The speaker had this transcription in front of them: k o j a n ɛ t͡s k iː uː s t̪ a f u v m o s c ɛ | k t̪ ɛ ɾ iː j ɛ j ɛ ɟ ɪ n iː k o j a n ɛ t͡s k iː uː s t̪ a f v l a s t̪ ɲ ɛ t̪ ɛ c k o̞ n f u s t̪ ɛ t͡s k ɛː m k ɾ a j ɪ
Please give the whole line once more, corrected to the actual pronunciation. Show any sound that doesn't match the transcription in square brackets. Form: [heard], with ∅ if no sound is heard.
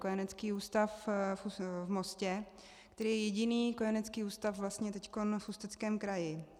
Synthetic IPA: k o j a n ɛ t͡s k iː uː s t̪ a f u v m o s c ɛ | k t̪ ɛ ɾ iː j ɛ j ɛ ɟ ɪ n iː k o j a n ɛ t͡s k iː uː s t̪ a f v l a s t̪ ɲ ɛ t̪ ɛ c k o̞ n f u s t̪ ɛ t͡s k ɛː m k ɾ a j ɪ